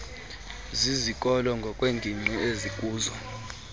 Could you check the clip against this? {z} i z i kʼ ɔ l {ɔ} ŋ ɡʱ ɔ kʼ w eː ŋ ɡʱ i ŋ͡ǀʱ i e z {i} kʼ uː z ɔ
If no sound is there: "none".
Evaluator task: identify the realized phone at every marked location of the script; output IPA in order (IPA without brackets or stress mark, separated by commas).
z, ɔ, i